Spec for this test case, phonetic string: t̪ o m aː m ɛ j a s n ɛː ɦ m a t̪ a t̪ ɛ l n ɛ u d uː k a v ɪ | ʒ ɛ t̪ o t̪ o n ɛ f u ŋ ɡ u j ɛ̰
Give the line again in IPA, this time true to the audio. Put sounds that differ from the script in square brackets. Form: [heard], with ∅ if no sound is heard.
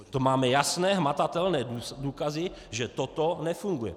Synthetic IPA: t̪ o m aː m ɛ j a s n ɛː ɦ m a t̪ a t̪ ɛ l n [ɛː] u d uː k a [z] ɪ | ʒ ɛ t̪ o t̪ o n ɛ f u ŋ ɡ u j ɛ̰